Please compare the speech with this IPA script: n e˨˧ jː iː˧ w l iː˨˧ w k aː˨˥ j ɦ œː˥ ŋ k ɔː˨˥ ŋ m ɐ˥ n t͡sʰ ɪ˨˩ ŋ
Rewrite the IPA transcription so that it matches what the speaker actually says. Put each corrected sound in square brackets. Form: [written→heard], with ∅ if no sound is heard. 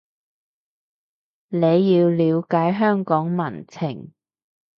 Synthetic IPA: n e˨˧ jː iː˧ w l iː˨˧ w k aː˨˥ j ɦ œː˥ ŋ k ɔː˨˥ ŋ m [ɐ˥→ɐ˨˩] n t͡sʰ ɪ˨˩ ŋ